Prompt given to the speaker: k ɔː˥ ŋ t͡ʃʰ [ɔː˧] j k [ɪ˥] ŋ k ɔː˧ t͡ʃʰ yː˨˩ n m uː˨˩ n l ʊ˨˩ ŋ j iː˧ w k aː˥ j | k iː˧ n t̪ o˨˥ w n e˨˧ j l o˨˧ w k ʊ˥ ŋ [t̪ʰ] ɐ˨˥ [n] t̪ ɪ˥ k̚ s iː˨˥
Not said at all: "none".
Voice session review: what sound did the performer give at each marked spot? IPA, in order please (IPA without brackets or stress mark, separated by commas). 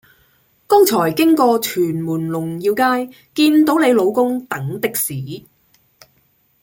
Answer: ɔː˨˩, ɪ˥, t̪, ŋ